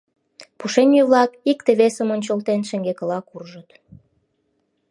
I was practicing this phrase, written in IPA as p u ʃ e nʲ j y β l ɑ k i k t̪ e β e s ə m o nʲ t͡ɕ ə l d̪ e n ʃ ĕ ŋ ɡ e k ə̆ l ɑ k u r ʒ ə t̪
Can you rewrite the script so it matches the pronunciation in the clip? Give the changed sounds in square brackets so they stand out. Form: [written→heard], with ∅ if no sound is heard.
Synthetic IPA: p u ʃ e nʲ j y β l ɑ k i k t̪ e β e s ə m o nʲ t͡ɕ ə l [d̪→t̪] e n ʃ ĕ ŋ ɡ e k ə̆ l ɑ k u r ʒ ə t̪